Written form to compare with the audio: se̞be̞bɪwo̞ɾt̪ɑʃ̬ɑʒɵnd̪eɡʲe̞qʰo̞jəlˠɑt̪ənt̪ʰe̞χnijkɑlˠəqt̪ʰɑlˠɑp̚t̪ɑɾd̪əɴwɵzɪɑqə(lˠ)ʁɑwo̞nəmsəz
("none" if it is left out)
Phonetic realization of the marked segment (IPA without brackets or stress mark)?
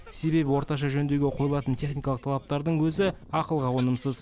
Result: lˠ